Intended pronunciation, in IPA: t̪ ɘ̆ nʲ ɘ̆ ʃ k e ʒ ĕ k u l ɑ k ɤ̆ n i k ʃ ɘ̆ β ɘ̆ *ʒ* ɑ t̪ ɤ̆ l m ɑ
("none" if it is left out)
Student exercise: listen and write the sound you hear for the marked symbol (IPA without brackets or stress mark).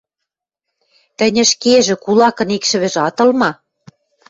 ʒ